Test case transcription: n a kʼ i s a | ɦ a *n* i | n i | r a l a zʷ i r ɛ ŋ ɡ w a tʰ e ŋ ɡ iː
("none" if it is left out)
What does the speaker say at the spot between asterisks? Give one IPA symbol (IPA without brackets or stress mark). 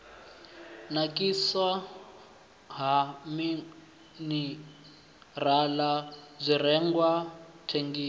m